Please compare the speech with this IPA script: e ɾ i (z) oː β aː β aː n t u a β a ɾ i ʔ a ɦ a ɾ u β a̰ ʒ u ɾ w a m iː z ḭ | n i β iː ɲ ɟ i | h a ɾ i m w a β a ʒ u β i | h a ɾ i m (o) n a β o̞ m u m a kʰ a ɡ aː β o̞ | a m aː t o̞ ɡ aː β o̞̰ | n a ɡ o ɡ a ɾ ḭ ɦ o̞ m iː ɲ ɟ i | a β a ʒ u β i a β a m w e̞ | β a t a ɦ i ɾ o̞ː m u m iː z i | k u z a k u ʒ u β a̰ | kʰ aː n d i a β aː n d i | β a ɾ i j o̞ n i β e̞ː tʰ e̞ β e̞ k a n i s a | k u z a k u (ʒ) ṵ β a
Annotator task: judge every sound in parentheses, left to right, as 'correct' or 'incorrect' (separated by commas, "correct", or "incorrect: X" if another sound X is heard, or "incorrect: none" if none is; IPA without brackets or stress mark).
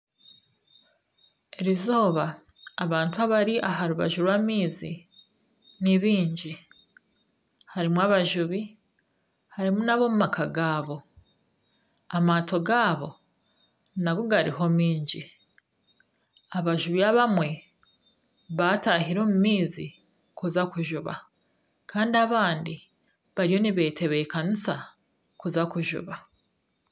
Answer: correct, incorrect: u, correct